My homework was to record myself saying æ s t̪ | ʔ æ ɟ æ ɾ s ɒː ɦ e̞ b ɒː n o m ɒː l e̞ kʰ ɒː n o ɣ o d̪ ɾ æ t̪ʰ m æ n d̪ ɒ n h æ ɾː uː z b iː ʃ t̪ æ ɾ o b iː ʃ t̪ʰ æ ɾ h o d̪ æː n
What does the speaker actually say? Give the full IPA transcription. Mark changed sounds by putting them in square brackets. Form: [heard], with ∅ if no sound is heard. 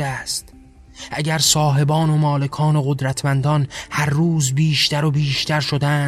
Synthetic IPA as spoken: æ s t̪ | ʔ æ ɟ æ ɾ s ɒː ɦ e̞ b ɒː n o m ɒː l e̞ kʰ ɒː n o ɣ o d̪ ɾ æ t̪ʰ m æ n d̪ ɒ n h æ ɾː uː z b iː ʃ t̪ æ ɾ o b iː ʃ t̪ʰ æ ɾ [ʃ] o d̪ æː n